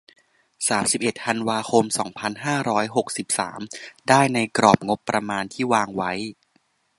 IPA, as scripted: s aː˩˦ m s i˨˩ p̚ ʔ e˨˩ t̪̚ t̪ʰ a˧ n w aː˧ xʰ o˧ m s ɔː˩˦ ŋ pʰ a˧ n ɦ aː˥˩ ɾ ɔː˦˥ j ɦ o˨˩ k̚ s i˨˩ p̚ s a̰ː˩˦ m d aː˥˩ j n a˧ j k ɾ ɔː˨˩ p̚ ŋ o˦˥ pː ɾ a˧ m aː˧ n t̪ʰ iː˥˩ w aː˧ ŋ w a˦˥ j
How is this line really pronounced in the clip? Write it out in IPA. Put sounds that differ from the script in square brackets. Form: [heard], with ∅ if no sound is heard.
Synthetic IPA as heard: s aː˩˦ m s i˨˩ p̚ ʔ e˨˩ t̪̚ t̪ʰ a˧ n w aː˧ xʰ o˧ m s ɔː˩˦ ŋ pʰ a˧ n ɦ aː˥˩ ɾ ɔː˦˥ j ɦ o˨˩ k̚ s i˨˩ p̚ s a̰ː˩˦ m d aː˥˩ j n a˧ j k ɾ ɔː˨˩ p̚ ŋ o˦˥ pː ɾ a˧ m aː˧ n t̪ʰ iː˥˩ w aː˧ ŋ w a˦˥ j